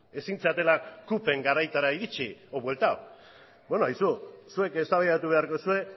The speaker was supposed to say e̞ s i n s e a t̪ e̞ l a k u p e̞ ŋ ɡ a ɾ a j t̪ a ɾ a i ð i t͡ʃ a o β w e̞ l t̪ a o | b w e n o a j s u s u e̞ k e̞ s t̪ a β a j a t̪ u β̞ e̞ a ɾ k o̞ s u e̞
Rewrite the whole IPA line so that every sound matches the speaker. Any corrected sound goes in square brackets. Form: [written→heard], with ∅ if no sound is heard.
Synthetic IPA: e̞ s i n [s→t͡s] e a t̪ e̞ l a k u p e̞ ŋ ɡ a ɾ a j t̪ a ɾ a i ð i t͡ʃ [a→i] o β w e̞ l t̪ a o | b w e n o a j s u s u e̞ k e̞ s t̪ a β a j a t̪ u β̞ e̞ a ɾ k o̞ s u e̞